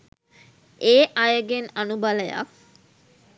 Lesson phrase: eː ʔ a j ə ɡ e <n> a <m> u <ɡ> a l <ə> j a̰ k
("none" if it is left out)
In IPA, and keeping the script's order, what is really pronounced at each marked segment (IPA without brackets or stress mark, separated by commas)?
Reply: n, n, b, ə